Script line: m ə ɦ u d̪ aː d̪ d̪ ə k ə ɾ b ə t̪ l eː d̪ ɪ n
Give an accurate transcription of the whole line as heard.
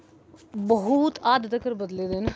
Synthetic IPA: b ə ɦ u t̪ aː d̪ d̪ ə k ə ɾ b ə d̪ l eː d̪ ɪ n